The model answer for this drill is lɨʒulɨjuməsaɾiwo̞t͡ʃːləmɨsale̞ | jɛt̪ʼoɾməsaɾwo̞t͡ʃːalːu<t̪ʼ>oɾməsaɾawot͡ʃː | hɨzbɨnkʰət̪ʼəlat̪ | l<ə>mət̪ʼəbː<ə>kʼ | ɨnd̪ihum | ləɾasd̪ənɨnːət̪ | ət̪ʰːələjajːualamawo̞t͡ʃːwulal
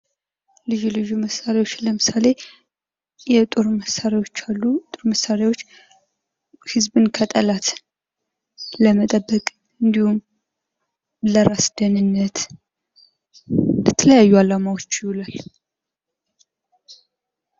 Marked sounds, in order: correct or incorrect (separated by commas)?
correct, correct, correct